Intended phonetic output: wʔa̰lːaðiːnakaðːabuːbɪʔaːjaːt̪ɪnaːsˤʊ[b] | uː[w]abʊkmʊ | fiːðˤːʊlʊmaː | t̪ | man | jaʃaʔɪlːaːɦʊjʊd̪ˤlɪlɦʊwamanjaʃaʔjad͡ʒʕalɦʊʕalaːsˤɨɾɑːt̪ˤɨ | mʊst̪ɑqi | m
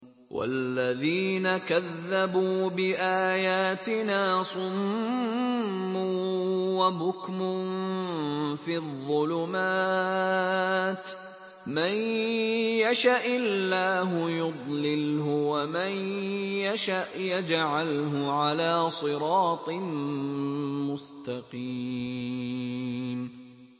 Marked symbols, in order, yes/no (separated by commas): no, yes